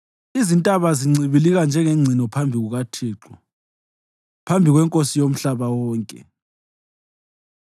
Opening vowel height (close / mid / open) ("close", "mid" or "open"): close